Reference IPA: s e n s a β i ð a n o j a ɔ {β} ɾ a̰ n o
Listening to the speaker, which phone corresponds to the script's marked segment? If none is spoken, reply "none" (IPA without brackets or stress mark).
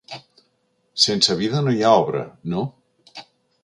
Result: β